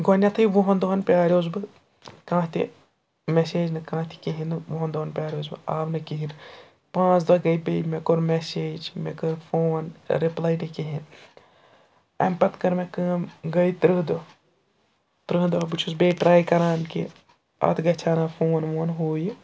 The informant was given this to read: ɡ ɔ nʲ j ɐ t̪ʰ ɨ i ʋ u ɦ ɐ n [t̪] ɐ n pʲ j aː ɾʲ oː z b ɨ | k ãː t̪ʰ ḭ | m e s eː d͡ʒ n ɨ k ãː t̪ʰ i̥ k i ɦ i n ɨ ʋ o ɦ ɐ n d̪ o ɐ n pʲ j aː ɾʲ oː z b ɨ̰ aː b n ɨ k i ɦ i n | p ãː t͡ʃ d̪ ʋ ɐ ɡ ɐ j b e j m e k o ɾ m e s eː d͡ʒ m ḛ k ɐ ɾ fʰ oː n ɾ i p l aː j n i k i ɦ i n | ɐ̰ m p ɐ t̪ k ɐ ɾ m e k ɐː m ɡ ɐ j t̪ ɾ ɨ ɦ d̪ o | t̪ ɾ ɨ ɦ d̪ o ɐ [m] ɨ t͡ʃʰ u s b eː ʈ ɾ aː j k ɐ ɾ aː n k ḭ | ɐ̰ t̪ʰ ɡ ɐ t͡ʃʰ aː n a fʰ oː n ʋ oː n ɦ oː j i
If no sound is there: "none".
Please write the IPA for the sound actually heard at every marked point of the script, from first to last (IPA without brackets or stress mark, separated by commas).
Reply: d̪, b